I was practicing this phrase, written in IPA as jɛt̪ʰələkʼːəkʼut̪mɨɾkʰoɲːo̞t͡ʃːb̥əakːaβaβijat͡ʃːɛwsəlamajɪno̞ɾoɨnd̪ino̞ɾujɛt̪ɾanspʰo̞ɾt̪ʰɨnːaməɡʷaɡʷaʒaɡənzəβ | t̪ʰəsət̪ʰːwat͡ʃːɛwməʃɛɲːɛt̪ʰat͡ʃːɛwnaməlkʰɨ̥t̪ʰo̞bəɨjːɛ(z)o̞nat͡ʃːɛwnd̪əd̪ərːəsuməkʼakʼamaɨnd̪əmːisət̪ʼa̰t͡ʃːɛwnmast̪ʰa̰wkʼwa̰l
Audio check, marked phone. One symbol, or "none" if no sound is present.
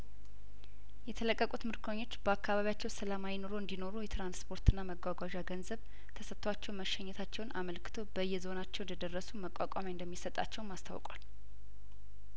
z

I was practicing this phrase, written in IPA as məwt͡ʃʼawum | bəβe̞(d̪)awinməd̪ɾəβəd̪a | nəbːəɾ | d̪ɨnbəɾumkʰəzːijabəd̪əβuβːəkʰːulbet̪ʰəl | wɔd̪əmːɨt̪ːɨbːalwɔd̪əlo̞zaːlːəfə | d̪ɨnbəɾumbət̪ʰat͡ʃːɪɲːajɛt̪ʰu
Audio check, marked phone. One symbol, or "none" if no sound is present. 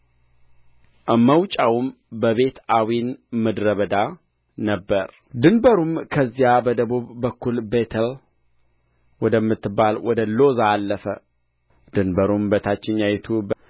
t̪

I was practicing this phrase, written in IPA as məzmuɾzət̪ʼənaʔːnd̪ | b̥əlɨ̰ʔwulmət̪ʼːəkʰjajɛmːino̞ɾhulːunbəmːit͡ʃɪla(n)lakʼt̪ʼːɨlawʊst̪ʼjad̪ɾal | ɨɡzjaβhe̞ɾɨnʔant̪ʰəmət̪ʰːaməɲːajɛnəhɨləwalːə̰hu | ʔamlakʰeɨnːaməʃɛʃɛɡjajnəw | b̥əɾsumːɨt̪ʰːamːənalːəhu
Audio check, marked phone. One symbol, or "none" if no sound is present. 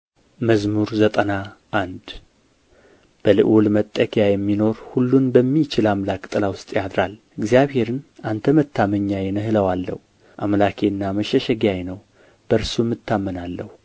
m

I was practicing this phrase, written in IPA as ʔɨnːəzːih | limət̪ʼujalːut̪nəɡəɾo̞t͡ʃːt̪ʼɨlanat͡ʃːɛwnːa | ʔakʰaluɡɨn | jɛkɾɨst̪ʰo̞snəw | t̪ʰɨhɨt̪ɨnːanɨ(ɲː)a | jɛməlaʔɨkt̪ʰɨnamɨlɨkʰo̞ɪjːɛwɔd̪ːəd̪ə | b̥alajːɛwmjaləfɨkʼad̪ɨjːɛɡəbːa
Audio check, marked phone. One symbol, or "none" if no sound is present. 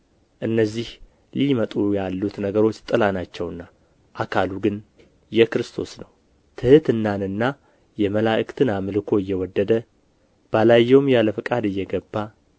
nː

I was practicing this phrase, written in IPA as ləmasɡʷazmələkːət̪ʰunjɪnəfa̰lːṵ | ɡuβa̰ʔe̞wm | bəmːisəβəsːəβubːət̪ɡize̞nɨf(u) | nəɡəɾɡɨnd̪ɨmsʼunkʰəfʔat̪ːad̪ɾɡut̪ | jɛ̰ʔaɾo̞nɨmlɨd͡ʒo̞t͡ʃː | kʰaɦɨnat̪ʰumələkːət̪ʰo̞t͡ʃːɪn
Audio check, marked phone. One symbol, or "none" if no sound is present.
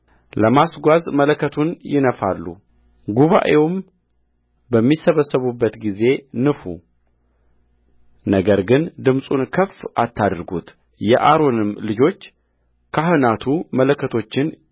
u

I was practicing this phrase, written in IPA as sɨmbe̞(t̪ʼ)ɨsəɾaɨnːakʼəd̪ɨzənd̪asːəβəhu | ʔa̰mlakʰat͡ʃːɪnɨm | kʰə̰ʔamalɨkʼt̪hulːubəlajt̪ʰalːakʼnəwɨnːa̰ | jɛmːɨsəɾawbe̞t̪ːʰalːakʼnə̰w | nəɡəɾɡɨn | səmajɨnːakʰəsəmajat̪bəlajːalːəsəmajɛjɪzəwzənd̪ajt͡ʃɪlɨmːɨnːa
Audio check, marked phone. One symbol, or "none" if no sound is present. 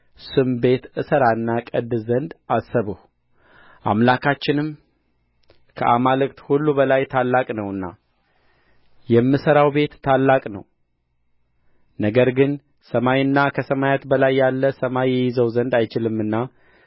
t̪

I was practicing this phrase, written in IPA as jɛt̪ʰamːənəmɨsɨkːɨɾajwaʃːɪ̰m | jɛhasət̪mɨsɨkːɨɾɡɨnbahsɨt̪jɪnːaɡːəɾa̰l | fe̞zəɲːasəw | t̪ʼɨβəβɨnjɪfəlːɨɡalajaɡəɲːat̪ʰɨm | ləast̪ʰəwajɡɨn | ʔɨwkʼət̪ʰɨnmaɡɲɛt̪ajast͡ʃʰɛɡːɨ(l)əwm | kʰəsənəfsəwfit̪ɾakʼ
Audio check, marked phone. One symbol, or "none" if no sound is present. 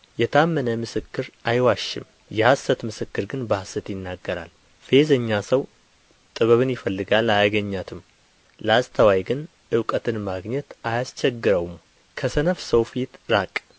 ɾ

